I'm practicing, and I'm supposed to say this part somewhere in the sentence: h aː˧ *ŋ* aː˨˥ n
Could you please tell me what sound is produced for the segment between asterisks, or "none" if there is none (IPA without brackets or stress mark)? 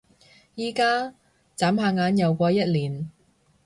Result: ŋ